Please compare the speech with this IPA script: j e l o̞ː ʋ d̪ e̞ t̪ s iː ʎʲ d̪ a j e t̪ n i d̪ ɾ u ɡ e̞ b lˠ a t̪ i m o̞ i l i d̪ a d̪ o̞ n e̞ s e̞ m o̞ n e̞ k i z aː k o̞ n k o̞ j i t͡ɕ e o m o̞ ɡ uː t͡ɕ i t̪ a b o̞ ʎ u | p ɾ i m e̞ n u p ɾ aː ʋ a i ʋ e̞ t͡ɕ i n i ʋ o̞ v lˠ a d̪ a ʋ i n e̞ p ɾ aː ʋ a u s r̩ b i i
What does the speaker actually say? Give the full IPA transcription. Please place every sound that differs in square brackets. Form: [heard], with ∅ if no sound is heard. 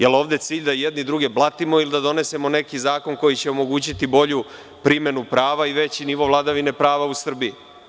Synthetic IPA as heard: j e l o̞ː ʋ d̪ e̞ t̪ s iː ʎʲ d̪ a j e [d̪] n i d̪ ɾ u ɡ e̞ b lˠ a t̪ i m o̞ i l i d̪ a d̪ o̞ n e̞ s e̞ m o̞ n e̞ k i z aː k o̞ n k o̞ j i t͡ɕ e o m o̞ ɡ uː t͡ɕ i t̪ [i] b o̞ ʎ u | p ɾ i m e̞ n u p ɾ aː ʋ a i ʋ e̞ t͡ɕ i n i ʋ o̞ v lˠ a d̪ a ʋ i n e̞ p ɾ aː ʋ a u s r̩ b i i